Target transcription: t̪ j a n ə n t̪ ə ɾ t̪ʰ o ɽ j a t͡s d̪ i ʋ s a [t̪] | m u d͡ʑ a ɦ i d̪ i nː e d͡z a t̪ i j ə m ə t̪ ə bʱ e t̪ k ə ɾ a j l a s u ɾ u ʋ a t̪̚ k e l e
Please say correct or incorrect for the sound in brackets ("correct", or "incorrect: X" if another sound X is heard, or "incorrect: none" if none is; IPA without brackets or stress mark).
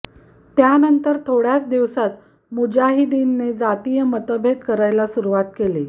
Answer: correct